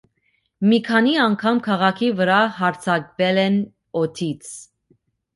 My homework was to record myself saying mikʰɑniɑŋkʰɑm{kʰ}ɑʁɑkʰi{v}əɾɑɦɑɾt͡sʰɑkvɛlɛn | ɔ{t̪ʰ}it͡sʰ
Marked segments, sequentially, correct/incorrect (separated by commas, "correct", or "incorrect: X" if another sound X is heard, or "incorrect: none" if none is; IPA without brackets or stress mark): correct, correct, correct